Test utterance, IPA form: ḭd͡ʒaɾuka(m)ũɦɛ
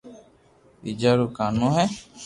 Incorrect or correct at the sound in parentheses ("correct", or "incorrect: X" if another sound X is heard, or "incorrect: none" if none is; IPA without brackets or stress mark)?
incorrect: n